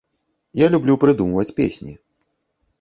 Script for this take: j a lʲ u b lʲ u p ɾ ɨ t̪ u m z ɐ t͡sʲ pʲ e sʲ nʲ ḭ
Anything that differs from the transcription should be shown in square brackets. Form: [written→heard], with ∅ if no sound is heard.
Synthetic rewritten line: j a lʲ u b lʲ u p ɾ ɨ [t̪→d̪] u m [z→v] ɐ t͡sʲ pʲ e sʲ nʲ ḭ